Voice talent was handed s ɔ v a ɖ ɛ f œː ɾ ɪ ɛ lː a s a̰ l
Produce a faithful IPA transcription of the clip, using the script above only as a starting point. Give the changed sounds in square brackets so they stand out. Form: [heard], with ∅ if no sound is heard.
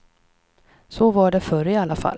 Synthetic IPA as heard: s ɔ v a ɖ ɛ f [œ] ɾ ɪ [a] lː a [f] a̰ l

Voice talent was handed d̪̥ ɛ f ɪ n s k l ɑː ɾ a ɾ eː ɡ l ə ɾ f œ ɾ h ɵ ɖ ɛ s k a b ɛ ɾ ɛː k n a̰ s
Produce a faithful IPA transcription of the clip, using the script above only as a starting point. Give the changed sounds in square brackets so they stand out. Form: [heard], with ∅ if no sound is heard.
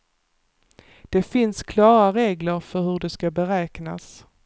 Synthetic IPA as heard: d̪̥ ɛ f ɪ n s [kʰ] l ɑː ɾ a ɾ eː ɡ l ə ɾ f œ ɾ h ɵ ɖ ɛ s k a b ɛ ɾ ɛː k n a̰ s

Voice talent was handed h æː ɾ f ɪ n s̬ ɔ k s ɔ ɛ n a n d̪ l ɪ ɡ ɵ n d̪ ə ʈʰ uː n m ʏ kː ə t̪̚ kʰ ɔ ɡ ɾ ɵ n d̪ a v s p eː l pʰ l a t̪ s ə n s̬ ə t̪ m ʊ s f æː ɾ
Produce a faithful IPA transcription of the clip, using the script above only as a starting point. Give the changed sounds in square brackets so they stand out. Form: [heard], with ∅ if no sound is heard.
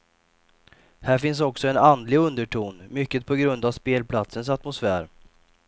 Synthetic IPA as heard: h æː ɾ f ɪ n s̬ ɔ k s ɔ ɛ n a n d̪ l ɪ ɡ ɵ n d̪ ə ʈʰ uː n m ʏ kː ə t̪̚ [pʰ] ɔ ɡ ɾ ɵ n d̪ a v s p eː l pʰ l a t̪ s ə n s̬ [a] t̪ m ʊ s f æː ɾ

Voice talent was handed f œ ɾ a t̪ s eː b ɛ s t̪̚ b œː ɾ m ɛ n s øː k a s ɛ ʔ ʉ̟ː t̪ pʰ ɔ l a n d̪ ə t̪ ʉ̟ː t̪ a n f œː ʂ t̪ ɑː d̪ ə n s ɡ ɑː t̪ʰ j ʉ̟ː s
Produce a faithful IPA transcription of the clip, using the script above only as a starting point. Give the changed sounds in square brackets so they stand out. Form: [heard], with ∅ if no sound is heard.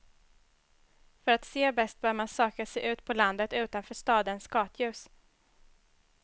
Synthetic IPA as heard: f œ ɾ a t̪ s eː b ɛ s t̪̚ b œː ɾ m [a] n s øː k a s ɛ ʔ ʉ̟ː t̪ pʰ ɔ l a n d̪ ə t̪ ʉ̟ː t̪ a n f œː ʂ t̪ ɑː d̪ ə n s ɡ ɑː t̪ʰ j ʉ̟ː s

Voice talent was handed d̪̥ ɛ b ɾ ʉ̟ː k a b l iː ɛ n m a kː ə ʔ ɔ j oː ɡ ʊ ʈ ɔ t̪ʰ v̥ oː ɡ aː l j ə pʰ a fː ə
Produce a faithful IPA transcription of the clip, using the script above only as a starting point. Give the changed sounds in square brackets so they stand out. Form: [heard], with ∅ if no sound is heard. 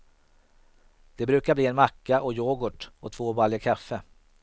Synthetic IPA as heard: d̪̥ ɛ b ɾ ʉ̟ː k a b l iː ɛ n m a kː [a] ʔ ɔ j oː ɡ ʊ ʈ ɔ t̪ʰ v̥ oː [b] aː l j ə [kʰ] a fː ə

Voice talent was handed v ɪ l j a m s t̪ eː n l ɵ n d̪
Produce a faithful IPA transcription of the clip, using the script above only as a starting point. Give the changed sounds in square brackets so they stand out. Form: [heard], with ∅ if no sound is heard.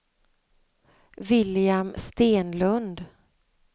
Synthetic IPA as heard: v ɪ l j a m s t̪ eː n l ɵ n d̪

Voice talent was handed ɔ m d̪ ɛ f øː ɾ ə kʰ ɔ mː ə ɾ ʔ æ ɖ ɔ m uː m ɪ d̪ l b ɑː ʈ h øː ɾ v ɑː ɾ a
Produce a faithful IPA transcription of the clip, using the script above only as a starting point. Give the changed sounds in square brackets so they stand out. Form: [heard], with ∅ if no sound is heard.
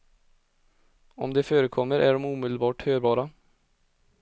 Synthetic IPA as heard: ɔ m d̪ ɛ f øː ɾ ə kʰ ɔ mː ə ɾ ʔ æ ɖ ɔ m uː m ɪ d̪ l b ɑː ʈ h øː ɾ [b] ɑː ɾ a

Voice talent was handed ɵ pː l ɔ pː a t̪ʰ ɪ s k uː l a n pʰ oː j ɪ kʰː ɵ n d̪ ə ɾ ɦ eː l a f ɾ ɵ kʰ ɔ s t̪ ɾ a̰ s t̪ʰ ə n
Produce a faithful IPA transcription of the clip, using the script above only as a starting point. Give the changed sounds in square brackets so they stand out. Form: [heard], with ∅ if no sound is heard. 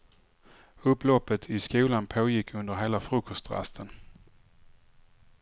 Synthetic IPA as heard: ɵ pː l ɔ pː [ə] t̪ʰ ɪ s k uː l a n pʰ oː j ɪ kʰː ɵ n d̪ ə ɾ ɦ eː l a f ɾ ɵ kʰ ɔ s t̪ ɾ a̰ s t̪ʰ ə n

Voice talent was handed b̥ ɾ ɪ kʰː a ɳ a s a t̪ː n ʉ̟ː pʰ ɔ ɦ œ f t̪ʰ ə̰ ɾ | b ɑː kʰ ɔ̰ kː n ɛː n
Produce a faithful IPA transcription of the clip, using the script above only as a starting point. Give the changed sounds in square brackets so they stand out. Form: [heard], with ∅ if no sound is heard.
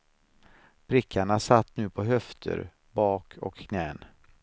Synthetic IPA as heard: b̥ ɾ ɪ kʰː a ɳ a s a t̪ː n ʉ̟ː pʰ ɔ ɦ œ f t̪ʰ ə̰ ɾ | b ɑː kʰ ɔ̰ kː n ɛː n

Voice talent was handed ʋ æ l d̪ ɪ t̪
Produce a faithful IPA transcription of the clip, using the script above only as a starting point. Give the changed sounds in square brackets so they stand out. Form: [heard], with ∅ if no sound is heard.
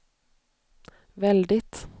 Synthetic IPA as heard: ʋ [ɛ] l d̪ ɪ t̪

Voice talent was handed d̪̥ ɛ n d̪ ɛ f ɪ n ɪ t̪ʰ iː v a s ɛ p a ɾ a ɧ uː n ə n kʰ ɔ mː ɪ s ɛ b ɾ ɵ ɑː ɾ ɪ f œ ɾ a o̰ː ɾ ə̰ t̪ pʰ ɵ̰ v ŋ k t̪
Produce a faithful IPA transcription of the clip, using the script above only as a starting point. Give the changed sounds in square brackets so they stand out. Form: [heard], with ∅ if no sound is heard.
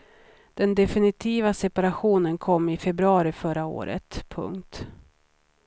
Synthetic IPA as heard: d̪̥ ɛ n d̪ ɛ f ɪ n ɪ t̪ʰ iː v a s ɛ p a ɾ a ɧ uː n ə n kʰ ɔ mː ɪ [f] ɛ b ɾ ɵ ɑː ɾ ɪ f œ ɾ a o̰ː ɾ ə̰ t̪ pʰ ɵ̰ [∅] ŋ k t̪

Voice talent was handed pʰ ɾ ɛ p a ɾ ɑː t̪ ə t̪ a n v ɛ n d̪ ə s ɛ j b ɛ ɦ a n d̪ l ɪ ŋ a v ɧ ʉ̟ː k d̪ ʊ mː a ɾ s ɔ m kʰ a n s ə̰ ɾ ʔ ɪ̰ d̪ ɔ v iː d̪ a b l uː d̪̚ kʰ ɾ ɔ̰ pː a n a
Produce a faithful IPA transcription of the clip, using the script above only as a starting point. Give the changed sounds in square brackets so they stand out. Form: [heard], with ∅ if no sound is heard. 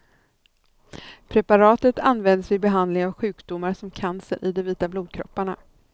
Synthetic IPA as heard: pʰ ɾ ɛ p a ɾ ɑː t̪ ə t̪ a n v ɛ n d̪ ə s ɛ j b ɛ ɦ a n d̪ l ɪ ŋ a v ɧ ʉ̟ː k d̪ ʊ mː a ɾ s ɔ m kʰ a n s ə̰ ɾ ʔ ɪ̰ d̪ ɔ v iː [t̪] a b l uː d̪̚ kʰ ɾ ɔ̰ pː a [ɳ] a

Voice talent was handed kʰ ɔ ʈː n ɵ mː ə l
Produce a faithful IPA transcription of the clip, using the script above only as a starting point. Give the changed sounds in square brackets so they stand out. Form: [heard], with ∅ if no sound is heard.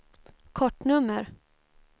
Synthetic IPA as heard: kʰ ɔ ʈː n ɵ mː ə [ɾ]

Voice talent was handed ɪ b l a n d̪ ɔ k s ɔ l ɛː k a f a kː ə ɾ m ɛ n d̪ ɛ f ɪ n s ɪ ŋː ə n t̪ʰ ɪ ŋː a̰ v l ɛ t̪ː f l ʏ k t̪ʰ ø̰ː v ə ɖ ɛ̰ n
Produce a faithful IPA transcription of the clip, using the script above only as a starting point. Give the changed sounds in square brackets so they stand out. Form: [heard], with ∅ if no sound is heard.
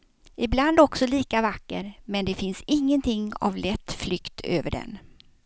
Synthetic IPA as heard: ɪ b l a n d̪ ɔ k s ɔ l [iː] k a [v] a kː ə ɾ m ɛ n d̪ ɛ f ɪ n s ɪ ŋː ə n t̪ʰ ɪ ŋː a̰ v l ɛ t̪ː f l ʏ k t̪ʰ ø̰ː v ə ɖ ɛ̰ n

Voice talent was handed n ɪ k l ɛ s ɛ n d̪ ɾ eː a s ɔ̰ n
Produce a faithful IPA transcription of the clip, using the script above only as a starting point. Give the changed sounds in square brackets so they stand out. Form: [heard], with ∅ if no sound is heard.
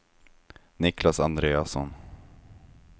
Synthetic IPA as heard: n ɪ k l [a] s [a] n d̪ ɾ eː a s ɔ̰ n

